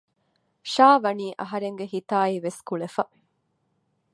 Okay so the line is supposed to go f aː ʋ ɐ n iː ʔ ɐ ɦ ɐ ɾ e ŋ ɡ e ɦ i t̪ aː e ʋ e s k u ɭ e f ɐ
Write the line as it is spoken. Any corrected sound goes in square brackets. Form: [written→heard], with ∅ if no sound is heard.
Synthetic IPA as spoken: [f→ʃ] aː ʋ ɐ n iː ʔ ɐ ɦ ɐ ɾ e ŋ ɡ e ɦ i t̪ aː [e→i] ʋ e s k u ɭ e f ɐ